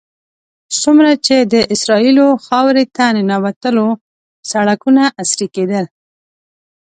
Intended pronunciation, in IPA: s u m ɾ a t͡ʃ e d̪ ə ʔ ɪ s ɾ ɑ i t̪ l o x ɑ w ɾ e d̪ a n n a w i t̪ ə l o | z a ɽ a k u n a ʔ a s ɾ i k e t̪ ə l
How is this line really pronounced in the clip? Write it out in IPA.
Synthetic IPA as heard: s u m ɾ a t͡ʃ e d̪ ə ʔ ɪ s ɾ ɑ i l o x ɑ w ɾ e t̪ a n n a w a t̪ ə l o | s a ɽ a k u n a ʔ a s ɾ i k e d̪ ə l